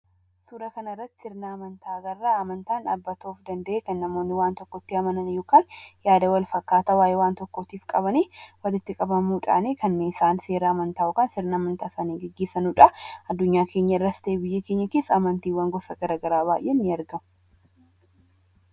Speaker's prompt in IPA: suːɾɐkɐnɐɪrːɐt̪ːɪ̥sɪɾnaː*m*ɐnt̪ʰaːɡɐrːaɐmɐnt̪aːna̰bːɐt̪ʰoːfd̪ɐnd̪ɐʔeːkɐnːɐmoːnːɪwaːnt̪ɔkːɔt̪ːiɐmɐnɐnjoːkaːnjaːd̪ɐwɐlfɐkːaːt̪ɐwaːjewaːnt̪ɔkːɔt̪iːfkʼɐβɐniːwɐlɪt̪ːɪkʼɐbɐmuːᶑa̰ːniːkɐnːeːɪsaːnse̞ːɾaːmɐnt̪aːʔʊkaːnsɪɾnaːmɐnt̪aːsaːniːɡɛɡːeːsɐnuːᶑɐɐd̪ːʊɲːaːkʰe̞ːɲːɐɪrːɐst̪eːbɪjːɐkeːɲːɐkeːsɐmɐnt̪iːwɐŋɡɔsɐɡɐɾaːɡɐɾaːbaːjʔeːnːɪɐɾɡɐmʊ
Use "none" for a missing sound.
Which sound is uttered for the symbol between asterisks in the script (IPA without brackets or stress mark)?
m